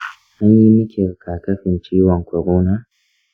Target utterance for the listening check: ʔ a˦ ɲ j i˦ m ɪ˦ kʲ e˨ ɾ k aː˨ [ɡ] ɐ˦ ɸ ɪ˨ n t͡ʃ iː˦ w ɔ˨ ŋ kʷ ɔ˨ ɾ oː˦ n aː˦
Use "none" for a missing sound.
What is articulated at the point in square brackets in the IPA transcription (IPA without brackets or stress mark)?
k